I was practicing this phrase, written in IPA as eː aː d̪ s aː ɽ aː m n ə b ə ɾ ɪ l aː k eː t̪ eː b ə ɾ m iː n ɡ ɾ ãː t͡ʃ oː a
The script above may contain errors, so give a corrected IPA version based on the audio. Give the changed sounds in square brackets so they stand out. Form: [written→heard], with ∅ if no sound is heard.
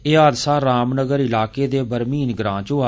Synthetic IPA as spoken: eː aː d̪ s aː [ɽ→ɾ] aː m n ə [b→ɡ] ə ɾ ɪ l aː k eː [t̪→d̪] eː b ə ɾ m iː n ɡ ɾ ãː t͡ʃ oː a